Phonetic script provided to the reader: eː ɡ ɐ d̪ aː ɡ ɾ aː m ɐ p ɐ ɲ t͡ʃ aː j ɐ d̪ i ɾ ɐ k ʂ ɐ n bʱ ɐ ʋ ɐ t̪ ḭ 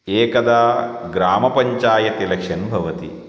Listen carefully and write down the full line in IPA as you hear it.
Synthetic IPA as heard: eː k ɐ d̪ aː ɡ ɾ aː m ɐ p ɐ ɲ t͡ʃ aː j ɐ t̪ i l ɐ k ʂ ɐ n bʱ ɐ ʋ ɐ t̪ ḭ